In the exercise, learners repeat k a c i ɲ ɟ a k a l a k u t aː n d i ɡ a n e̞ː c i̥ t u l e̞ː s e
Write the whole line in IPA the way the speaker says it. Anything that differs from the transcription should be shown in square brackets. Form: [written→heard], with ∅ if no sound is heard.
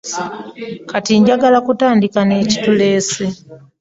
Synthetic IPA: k a [c→t] i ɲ ɟ a [k→ɡ] a l a k u t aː n d i [ɡ→k] a n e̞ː c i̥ t u l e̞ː s e